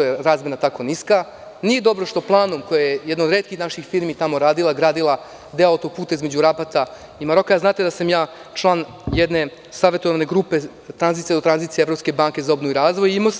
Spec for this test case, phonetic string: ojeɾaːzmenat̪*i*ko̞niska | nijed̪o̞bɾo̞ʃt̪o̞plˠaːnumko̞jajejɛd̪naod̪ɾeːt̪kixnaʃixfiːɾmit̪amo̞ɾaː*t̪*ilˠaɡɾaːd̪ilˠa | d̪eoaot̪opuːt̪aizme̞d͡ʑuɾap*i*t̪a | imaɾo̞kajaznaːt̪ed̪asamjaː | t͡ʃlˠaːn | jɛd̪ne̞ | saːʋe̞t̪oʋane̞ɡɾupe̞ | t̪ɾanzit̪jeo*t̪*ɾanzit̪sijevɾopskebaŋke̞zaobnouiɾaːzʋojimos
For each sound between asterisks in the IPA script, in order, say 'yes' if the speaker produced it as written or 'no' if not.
no, no, no, yes

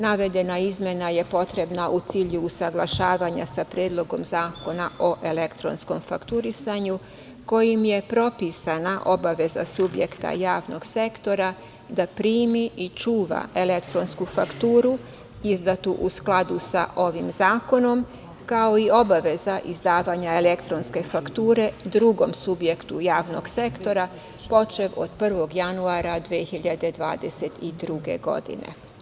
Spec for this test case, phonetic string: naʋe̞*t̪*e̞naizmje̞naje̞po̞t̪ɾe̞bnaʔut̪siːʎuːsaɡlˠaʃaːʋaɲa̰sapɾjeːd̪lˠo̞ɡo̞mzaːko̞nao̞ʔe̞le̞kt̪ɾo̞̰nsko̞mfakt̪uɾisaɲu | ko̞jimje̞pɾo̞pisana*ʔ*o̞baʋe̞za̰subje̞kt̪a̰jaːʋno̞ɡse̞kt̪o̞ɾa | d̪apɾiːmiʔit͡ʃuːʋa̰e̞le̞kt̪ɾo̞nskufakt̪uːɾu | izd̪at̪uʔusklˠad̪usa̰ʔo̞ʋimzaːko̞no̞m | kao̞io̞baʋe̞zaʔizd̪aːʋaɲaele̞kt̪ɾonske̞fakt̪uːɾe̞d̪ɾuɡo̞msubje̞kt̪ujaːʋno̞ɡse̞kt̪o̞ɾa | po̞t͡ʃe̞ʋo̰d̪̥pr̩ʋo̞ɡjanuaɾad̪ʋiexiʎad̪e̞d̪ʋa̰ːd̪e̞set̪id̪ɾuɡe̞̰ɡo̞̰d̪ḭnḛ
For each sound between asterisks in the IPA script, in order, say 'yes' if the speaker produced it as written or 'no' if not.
no, yes

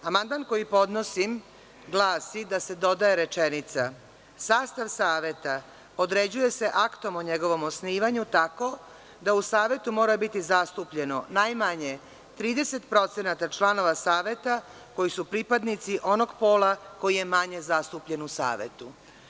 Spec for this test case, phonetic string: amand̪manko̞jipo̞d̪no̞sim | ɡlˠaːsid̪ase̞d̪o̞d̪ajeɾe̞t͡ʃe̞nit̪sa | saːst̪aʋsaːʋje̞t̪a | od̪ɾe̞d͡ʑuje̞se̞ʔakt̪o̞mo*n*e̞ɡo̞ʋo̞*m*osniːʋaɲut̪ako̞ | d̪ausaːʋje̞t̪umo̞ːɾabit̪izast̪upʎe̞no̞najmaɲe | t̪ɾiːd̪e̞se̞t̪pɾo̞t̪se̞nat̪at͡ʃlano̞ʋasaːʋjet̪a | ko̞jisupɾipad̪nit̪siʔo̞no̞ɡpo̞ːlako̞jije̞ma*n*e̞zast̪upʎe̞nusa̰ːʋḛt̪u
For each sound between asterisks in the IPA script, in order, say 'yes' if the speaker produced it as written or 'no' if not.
no, yes, no

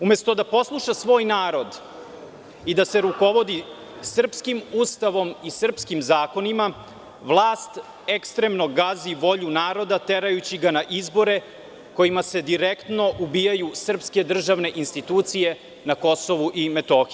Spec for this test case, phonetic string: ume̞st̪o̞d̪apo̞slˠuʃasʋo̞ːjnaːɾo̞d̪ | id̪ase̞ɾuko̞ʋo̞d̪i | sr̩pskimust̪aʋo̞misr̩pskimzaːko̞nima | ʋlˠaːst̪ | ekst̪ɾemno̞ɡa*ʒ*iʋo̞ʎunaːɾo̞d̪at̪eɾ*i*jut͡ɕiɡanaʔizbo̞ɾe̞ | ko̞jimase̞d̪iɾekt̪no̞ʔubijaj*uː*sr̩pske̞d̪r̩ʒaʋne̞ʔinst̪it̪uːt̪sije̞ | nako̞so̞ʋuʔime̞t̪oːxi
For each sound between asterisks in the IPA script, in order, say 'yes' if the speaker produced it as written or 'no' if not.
no, no, no

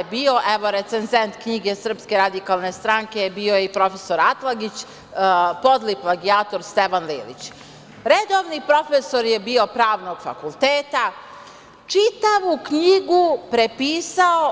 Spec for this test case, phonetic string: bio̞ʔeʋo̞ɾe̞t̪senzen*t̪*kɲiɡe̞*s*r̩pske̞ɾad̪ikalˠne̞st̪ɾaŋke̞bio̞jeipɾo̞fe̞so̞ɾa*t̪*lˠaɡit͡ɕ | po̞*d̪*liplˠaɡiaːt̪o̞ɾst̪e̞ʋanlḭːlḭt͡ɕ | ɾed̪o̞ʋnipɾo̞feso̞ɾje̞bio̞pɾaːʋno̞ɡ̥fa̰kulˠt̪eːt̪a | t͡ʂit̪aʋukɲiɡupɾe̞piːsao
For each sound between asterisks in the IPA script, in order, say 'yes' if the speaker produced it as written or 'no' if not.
yes, yes, yes, yes

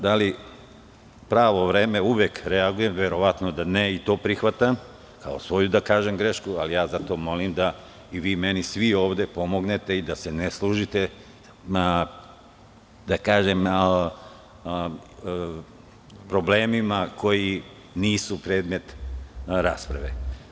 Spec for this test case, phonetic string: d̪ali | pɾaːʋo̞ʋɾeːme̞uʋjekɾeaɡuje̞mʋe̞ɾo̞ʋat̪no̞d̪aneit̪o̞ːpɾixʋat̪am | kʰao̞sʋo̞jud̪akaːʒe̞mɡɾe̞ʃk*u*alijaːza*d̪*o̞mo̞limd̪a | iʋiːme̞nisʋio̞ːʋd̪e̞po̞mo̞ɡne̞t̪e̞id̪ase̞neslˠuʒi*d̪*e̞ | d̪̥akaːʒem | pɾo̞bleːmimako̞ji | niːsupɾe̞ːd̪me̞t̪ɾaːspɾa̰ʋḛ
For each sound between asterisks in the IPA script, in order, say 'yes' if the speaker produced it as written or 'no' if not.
yes, no, no

